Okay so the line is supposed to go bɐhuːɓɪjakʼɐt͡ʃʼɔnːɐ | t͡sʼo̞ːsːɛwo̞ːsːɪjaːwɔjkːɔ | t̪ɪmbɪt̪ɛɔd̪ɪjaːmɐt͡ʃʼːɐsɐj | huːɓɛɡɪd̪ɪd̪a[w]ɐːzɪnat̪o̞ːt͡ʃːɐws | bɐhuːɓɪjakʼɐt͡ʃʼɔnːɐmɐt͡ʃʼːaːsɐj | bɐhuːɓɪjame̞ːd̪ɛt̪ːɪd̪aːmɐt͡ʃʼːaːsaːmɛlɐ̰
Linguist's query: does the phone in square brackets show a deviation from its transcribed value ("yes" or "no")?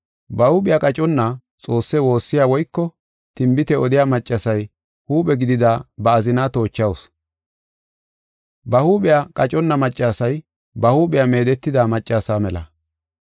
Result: yes